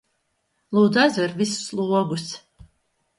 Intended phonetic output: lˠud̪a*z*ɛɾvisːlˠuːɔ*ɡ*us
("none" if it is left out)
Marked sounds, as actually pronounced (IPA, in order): z, ɡ

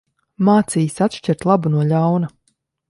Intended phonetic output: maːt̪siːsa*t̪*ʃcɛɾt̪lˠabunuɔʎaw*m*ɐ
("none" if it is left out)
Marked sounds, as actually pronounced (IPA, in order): t̪, n

